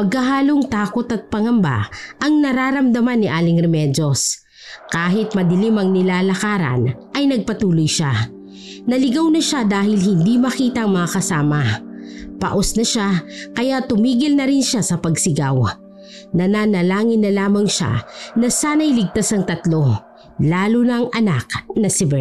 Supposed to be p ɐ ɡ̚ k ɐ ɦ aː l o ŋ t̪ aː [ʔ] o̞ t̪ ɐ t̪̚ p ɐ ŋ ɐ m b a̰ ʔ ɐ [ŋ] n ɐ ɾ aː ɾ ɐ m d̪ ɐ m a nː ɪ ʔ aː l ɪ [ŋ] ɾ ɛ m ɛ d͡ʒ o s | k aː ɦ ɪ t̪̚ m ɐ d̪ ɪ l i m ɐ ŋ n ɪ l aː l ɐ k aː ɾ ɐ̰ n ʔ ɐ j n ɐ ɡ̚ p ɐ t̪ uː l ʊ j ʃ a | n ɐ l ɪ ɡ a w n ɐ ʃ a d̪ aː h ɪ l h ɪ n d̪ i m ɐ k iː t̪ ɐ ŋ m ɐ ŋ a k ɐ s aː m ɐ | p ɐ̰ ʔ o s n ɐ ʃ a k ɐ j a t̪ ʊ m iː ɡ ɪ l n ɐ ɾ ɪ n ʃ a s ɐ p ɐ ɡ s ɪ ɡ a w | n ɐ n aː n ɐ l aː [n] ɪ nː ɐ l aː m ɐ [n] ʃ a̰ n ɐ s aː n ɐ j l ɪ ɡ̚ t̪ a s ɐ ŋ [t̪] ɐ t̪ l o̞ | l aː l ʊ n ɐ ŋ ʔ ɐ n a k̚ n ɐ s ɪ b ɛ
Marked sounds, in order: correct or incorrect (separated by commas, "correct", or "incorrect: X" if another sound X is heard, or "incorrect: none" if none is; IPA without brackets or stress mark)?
incorrect: k, correct, correct, incorrect: ŋ, incorrect: ŋ, correct